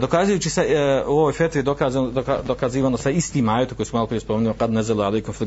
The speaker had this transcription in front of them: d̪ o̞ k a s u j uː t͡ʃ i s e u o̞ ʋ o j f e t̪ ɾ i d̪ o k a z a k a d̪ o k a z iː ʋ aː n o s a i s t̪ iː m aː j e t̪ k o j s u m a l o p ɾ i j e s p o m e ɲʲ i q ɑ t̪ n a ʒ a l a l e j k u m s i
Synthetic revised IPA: d̪ o̞ k a z u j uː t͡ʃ i s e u o̞ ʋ o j f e t̪ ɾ i d̪ o k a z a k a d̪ o k a z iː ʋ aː n o s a i s t̪ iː m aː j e t̪ k o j s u m a l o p ɾ i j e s p o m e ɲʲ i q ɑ d̪ n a z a l a l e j k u m f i